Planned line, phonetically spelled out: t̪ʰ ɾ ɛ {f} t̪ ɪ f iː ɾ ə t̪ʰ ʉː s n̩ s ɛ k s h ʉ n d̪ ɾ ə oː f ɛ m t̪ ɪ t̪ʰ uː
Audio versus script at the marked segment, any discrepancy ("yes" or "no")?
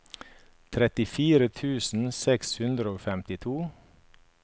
yes